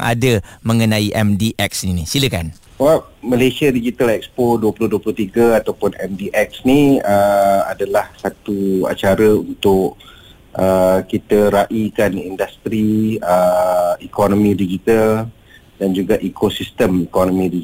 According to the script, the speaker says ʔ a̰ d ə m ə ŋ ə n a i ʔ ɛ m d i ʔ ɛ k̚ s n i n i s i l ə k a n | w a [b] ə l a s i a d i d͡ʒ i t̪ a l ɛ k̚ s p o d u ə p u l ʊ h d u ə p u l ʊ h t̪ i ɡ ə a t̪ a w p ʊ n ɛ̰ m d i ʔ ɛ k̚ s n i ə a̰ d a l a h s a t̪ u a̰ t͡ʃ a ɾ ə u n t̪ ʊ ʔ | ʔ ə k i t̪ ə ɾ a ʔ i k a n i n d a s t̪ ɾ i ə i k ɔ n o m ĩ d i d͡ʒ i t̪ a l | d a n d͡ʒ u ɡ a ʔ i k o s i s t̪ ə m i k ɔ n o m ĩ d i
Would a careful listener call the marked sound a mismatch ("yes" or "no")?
yes